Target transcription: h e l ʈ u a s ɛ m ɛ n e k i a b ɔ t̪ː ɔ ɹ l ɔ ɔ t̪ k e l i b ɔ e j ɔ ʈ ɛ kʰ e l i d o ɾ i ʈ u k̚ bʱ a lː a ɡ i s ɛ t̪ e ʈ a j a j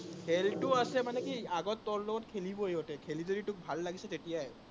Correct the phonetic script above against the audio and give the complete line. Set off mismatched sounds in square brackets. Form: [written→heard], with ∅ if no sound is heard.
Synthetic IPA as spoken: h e l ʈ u a s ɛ m [ɛ→a] n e k i a [b→ɡ] ɔ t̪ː ɔ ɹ l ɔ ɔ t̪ [k→kʰ] e l i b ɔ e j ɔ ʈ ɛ kʰ e l i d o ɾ i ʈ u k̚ bʱ a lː a ɡ i s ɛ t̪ e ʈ [a→i] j a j

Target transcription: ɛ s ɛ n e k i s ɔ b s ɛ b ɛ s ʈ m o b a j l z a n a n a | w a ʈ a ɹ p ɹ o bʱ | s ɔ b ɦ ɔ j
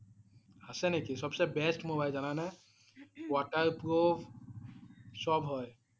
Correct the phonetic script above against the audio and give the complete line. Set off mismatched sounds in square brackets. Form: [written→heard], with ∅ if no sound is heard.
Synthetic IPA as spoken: [ɛ→a] s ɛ n e k i s ɔ b s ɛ b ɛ s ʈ m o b a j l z a n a n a | w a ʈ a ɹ p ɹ o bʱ | s ɔ b ɦ ɔ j

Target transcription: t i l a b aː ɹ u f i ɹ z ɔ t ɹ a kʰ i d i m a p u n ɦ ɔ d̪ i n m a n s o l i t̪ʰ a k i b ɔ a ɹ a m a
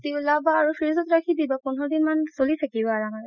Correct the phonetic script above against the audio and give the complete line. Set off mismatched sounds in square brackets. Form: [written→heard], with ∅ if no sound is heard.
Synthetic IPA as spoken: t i l a b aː ɹ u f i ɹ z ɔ t ɹ a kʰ i d i [m→b] a p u n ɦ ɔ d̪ i n m a n s o l i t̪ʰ a k i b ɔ a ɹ a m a

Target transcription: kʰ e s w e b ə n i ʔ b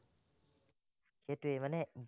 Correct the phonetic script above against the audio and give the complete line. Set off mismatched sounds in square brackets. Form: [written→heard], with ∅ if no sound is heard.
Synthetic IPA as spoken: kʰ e [s→t] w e [b→m] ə n [i→ɛ] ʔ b

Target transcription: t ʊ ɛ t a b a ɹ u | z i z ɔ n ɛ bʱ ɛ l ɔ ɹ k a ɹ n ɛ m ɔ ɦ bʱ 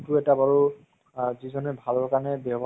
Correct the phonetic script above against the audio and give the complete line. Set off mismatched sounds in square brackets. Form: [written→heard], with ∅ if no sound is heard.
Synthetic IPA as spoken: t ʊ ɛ t a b a ɹ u | z i z ɔ n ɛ bʱ [ɛ→a] l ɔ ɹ k a ɹ n ɛ [m→b] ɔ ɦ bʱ

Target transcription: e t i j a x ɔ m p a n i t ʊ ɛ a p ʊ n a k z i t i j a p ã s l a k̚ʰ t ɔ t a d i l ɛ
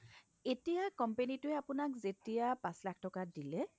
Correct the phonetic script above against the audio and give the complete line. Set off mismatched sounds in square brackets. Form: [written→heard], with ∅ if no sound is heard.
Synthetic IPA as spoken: e t i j a [x→k] ɔ m p [a→e] n i t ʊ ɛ a p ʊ n a k z [i→e] t i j a p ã s l a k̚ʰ t ɔ [t→k] a d i l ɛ

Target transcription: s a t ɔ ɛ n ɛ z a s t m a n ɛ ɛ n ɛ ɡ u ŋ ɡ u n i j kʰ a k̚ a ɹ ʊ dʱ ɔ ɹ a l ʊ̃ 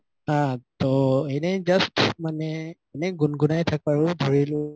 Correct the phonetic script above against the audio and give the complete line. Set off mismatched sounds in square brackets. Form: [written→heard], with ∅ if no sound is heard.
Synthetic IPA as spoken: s a t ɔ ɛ n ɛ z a s t m a n ɛ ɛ n ɛ ɡ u [ŋ→n] ɡ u n [i→a] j [kʰ→tʰ] a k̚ a ɹ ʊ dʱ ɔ ɹ [a→i] l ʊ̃

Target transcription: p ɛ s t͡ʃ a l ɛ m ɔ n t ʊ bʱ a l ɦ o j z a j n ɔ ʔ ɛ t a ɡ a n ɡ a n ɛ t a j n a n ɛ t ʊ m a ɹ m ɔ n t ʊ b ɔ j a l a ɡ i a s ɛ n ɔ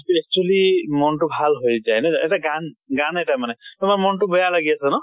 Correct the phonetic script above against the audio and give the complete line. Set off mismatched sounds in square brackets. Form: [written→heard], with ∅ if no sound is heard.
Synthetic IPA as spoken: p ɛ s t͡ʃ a l [ɛ→i] m ɔ n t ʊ bʱ a l ɦ o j z a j n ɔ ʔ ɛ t a ɡ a n ɡ a n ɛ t a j [n→m] a n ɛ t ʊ m a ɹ m ɔ n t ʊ b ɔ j a l a ɡ i a s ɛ n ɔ

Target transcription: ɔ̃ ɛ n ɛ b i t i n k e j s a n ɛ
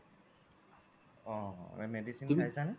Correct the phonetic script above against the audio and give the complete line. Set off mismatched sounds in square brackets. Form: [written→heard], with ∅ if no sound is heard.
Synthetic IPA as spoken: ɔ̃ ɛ [n→m] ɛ [b→d] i [t→s] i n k [e→a] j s a n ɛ

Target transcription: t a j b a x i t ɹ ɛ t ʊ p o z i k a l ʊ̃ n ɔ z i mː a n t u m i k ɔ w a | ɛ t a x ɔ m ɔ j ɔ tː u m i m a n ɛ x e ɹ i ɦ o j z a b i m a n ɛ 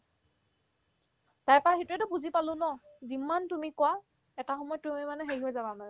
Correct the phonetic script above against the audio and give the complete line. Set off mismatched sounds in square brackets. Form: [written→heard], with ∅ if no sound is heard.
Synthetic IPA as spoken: t a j [b→p] a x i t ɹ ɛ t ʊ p [o→u] z i [k→p] a l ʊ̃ n ɔ z i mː a n t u m i k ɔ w a | ɛ t a x ɔ m ɔ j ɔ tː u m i m a n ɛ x e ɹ i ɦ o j z a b [i→a] m a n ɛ

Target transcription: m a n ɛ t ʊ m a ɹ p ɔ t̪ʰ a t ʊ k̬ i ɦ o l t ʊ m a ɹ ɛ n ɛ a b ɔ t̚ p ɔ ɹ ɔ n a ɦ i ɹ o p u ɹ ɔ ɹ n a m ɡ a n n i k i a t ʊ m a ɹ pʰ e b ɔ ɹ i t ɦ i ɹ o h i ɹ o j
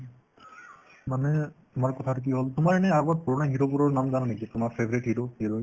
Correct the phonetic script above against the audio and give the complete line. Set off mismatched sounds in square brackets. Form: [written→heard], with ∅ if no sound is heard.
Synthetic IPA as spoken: m a n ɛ t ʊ m a ɹ [p→k] ɔ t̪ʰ a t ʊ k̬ i ɦ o l t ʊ m a ɹ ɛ n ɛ a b ɔ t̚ p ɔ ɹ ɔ n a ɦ i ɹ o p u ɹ ɔ ɹ n a m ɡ a n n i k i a t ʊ m a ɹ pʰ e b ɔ ɹ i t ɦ i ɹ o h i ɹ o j

